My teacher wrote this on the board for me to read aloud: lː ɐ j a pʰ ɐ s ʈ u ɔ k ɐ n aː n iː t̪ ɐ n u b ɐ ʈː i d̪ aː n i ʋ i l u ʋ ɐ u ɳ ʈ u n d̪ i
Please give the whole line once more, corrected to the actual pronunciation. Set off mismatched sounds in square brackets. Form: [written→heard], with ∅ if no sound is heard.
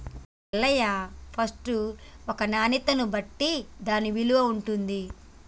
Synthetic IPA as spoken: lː ɐ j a pʰ ɐ s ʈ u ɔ k ɐ n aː n [iː→i] t̪ ɐ n u b ɐ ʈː i d̪ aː n i ʋ i l u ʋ ɐ u ɳ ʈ u n d̪ i